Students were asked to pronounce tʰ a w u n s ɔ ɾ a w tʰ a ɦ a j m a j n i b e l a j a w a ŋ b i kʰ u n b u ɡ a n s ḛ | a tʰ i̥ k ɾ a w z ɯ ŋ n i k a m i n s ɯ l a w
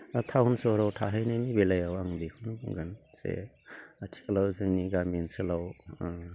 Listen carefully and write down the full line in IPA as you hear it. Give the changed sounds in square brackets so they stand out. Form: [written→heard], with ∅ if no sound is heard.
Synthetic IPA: tʰ a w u n s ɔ ɾ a w tʰ a ɦ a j [m→n] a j n i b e l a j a w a ŋ b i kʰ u n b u ɡ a n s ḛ | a tʰ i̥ k [ɾ→l] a w z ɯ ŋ n i [k→ɡ] a m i n s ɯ l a w